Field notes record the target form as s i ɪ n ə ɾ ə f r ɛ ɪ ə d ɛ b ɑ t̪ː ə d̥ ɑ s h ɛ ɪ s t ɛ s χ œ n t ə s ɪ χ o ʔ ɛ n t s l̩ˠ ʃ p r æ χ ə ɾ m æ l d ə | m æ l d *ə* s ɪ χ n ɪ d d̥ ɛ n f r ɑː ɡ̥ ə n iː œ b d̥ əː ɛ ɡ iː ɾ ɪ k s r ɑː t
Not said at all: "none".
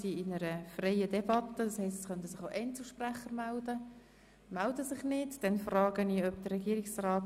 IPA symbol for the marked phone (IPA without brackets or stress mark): ə